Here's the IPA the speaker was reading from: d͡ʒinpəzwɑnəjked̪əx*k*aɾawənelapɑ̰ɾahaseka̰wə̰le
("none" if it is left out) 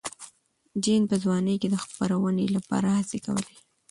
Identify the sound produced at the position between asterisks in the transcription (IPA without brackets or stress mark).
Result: p